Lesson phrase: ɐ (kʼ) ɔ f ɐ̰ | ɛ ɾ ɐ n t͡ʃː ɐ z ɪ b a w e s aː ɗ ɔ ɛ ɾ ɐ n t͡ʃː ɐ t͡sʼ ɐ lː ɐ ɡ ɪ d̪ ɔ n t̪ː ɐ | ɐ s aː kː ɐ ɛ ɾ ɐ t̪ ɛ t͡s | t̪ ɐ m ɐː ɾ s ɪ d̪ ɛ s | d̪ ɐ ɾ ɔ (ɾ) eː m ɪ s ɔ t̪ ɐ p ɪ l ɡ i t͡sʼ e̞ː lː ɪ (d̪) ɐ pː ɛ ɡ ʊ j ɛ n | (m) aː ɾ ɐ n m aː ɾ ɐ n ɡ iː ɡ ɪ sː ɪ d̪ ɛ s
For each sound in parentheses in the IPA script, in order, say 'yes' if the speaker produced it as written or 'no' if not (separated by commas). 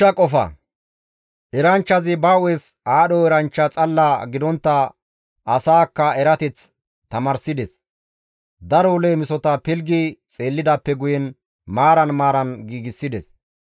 yes, no, yes, yes